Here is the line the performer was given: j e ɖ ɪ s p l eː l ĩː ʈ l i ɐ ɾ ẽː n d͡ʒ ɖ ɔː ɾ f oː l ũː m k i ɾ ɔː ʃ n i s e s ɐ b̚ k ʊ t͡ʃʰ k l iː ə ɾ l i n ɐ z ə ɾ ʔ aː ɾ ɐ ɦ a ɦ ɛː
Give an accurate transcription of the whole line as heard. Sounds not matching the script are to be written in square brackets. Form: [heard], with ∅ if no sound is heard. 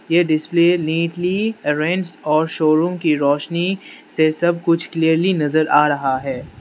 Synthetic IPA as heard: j e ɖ ɪ s p l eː l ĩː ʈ l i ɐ ɾ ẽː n d͡ʒ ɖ ɔː ɾ [ʃ] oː [ɾ] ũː m k i ɾ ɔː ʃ n i s e s ɐ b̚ k ʊ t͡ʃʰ k l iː ə ɾ l i n ɐ z ə ɾ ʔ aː ɾ ɐ ɦ a ɦ ɛː